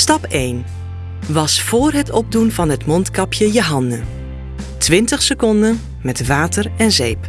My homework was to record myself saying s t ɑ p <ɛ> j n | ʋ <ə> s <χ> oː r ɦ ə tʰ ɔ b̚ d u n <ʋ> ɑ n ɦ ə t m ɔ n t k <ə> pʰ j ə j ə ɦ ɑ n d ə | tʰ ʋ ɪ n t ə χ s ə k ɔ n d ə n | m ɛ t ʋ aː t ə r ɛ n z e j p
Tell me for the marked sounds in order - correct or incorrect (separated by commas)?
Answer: incorrect, incorrect, incorrect, incorrect, incorrect